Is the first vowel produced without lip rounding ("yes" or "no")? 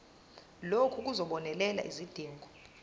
no